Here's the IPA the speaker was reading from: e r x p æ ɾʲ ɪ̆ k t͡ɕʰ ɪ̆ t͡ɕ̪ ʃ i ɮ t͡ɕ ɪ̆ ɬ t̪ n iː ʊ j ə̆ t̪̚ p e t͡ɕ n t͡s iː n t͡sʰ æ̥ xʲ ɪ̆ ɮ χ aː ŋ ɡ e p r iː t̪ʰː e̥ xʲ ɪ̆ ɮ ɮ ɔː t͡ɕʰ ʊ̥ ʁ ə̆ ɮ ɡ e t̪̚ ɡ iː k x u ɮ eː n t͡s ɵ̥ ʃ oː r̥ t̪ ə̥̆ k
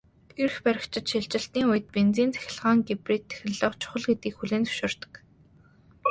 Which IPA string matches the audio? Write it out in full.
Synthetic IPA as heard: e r x p æ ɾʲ ɪ̆ k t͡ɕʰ ɪ̆ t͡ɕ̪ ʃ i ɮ t͡ɕ ɪ̆ ɬ t̪ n iː ʊ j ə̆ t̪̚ p e n t͡s iː n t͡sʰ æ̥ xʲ ɪ̆ ɮ ʁ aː ŋ ɡ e p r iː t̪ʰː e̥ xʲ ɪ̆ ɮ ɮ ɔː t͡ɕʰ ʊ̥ χ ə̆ ɮ ɡ e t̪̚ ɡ iː k x u ɮ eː n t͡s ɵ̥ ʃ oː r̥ t̪ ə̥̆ k